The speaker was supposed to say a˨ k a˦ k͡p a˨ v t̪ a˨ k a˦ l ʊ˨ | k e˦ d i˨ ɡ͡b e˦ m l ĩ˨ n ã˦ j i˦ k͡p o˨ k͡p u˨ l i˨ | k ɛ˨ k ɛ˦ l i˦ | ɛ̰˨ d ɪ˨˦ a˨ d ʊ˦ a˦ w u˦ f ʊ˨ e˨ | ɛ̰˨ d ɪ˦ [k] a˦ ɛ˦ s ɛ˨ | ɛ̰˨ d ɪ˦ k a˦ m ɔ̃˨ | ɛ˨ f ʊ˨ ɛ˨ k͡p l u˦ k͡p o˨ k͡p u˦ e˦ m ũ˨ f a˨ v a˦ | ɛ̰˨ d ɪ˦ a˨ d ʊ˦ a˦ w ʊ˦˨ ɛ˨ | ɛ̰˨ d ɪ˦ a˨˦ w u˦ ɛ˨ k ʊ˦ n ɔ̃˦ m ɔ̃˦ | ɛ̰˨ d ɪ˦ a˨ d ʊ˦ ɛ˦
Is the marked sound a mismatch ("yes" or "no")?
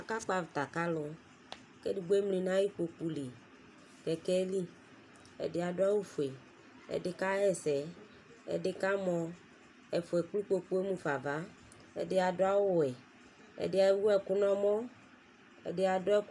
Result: no